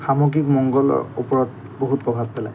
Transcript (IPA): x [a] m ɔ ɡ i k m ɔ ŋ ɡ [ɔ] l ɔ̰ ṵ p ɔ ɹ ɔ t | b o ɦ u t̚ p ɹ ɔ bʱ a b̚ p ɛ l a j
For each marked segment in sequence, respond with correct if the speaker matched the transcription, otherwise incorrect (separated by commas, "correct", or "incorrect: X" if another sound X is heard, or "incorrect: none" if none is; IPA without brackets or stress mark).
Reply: correct, correct